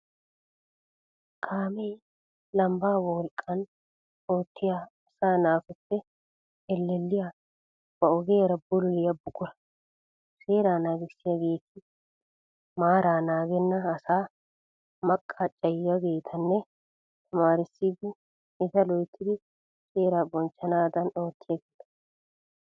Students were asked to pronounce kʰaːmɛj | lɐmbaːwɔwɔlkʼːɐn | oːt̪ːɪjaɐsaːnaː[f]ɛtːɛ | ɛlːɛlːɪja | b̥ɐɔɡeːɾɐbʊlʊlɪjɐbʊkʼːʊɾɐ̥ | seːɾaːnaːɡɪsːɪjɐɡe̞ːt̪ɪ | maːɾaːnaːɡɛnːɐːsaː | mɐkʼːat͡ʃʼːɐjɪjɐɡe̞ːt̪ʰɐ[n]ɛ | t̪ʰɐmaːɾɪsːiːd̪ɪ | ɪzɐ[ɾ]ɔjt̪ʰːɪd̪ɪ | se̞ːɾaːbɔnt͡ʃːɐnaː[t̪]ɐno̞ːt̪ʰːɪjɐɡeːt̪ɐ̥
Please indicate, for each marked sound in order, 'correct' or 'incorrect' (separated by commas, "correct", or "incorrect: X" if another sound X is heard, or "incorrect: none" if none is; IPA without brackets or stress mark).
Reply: correct, incorrect: nː, incorrect: l, incorrect: d̪